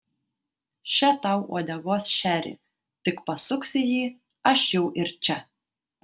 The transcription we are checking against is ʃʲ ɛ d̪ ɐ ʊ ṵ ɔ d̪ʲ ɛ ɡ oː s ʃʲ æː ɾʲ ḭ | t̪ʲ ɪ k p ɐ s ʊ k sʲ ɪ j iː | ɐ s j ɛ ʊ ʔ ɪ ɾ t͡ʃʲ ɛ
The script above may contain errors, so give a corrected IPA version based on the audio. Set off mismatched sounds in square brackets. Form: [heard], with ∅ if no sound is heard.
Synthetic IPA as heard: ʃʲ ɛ [t̪] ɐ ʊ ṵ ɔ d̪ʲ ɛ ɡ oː s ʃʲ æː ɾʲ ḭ | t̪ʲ ɪ k p ɐ s ʊ k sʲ ɪ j iː | ɐ [ʃ] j ɛ ʊ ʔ ɪ ɾ t͡ʃʲ ɛ